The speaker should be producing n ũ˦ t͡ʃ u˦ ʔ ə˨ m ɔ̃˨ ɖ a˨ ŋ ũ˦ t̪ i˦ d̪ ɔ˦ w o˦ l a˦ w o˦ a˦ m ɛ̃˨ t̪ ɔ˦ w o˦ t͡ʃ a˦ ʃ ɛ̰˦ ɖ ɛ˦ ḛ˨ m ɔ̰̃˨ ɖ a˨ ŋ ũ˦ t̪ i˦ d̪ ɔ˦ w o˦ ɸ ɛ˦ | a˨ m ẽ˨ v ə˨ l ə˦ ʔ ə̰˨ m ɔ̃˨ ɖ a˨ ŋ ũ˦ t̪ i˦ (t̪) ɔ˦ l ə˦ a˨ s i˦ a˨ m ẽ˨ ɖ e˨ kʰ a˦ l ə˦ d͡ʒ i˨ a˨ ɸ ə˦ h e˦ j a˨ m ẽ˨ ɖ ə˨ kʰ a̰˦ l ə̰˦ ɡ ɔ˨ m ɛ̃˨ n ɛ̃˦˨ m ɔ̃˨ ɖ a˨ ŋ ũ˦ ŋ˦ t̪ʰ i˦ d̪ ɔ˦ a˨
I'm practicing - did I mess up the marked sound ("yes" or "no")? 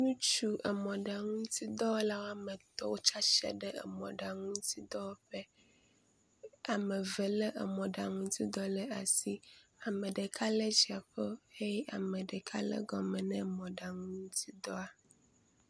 yes